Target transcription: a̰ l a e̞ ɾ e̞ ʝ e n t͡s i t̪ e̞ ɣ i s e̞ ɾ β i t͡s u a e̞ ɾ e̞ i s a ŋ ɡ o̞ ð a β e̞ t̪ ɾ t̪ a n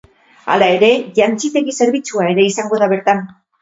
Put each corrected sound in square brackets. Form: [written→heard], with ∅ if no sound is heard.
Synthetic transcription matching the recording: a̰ l a e̞ ɾ e̞ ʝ [e→a] n t͡s i t̪ e̞ ɣ i s e̞ ɾ β i t͡s u a e̞ ɾ e̞ i s a ŋ ɡ o̞ ð a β e̞ [t̪→∅] ɾ t̪ a n